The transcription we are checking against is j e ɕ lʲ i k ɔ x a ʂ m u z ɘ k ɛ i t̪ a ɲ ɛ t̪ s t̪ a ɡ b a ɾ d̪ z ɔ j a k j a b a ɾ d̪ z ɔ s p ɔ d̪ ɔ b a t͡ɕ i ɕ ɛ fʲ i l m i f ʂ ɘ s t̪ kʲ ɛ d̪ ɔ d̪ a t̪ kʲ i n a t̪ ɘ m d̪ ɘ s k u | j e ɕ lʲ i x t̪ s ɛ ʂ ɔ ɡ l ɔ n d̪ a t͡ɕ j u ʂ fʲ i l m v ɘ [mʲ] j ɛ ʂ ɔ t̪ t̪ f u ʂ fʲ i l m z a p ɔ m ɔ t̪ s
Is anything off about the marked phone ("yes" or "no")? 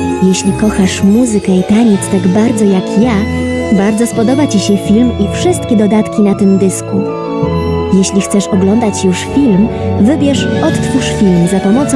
yes